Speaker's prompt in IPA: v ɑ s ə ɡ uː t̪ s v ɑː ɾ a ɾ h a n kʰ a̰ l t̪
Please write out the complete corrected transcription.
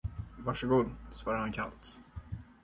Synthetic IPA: v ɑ ʂ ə ɡ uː d̪ s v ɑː ɾ a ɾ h a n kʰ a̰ l t̪